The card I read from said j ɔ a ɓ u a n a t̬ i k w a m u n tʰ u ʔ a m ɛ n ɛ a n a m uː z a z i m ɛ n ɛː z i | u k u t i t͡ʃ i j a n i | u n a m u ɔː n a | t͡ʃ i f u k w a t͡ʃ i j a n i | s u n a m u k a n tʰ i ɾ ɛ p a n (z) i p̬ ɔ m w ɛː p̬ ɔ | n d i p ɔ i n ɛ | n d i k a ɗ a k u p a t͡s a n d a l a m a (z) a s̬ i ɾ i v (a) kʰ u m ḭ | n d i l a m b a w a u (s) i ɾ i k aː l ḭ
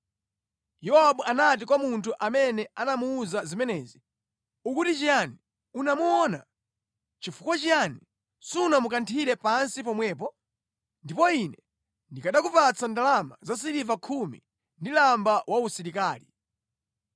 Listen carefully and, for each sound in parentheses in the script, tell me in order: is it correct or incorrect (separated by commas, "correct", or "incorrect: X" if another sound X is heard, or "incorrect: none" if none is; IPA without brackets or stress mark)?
incorrect: s, correct, correct, correct